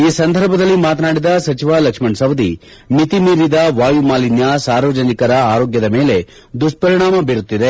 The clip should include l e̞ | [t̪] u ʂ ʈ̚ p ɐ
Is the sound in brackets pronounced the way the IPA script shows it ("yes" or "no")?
no